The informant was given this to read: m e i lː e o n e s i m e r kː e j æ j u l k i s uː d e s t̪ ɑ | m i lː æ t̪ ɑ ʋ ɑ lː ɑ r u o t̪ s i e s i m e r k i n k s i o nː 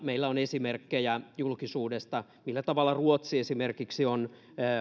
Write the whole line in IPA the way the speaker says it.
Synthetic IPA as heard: m e i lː æ o n e s i m e r kː e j æ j u l k i s uː d e s t̪ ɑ | m i lː æ t̪ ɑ ʋ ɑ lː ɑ r u o t̪ s i e s i m e r k i k s i o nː